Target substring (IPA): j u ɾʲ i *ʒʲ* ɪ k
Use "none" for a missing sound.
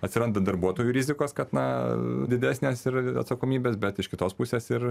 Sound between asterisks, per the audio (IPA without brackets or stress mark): zʲ